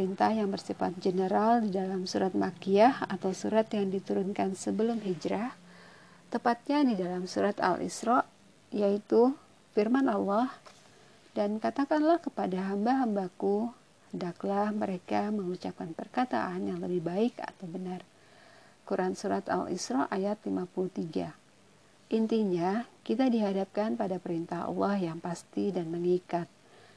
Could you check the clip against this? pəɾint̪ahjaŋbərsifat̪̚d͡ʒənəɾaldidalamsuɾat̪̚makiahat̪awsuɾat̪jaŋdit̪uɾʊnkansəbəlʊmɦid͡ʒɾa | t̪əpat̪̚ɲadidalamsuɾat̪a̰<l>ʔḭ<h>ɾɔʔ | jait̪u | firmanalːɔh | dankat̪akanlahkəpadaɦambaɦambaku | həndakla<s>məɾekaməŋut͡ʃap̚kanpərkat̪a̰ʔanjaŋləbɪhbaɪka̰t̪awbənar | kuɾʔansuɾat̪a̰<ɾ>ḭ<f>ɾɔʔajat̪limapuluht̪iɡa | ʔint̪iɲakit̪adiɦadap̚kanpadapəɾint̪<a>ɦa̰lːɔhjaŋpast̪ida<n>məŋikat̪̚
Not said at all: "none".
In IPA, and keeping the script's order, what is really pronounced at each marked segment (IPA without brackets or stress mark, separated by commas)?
l, s, h, l, s, a, n